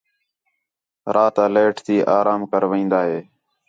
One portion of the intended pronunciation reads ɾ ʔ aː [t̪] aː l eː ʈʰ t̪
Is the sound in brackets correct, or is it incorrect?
correct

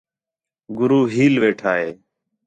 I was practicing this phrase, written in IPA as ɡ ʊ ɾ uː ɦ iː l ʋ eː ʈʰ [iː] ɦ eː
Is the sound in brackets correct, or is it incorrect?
incorrect: aː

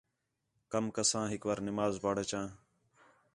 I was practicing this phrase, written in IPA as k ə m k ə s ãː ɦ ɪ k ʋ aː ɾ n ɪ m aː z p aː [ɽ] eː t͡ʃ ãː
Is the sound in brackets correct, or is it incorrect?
correct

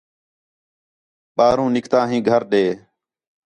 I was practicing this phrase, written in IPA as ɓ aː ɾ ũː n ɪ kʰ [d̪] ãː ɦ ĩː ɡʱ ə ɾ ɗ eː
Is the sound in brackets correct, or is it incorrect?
incorrect: t̪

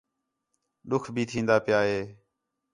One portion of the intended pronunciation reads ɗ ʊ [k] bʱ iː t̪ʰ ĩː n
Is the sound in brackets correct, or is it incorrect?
incorrect: kʰ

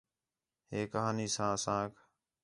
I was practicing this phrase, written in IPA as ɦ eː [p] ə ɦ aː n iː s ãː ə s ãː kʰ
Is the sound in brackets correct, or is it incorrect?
incorrect: k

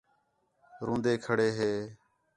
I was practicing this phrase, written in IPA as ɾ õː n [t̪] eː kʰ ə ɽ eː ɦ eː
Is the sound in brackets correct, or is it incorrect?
incorrect: d̪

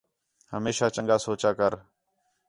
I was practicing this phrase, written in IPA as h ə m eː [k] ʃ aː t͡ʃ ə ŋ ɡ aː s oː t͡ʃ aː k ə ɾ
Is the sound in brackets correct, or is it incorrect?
incorrect: none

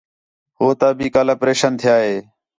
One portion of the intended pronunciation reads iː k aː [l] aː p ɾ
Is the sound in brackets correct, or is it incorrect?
correct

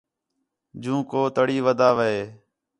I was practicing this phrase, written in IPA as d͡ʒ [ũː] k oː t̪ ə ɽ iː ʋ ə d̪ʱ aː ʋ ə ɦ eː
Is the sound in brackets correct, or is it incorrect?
correct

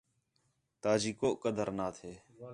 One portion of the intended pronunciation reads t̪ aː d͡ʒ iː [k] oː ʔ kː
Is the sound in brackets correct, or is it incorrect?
correct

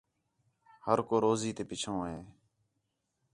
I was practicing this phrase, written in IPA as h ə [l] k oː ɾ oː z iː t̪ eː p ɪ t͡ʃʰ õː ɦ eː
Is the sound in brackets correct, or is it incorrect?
incorrect: ɾ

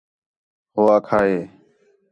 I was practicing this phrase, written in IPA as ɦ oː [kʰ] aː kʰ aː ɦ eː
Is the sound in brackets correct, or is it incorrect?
incorrect: none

